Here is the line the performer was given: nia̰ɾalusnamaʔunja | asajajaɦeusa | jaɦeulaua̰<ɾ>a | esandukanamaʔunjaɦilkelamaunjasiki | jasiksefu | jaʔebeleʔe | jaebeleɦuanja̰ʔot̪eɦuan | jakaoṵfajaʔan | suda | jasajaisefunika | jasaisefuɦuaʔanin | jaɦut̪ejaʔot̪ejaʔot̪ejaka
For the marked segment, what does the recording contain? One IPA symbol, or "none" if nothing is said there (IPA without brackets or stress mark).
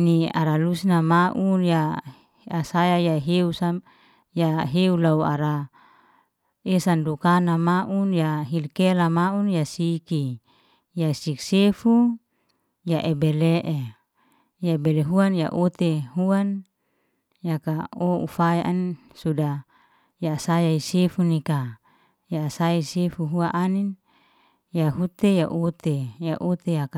ɾ